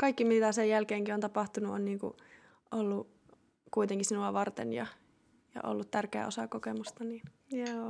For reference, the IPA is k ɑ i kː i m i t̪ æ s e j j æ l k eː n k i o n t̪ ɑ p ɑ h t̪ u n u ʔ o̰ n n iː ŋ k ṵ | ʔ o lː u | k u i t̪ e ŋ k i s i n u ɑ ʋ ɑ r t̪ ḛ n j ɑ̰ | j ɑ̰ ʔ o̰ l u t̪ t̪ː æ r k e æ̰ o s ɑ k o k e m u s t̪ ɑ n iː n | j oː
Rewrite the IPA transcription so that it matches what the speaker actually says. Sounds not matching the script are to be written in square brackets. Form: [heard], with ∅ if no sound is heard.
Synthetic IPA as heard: k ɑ i kː i m i t̪ æ s e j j æ l k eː [ŋ] k i o n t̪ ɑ p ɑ h t̪ u n u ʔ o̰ n n iː ŋ k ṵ | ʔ o lː u | k u i t̪ e ŋ k i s i n u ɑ ʋ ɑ r t̪ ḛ n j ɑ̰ | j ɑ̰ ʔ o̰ [lː] u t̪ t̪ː æ r k e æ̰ o s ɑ k o k e m u s t̪ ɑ n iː n | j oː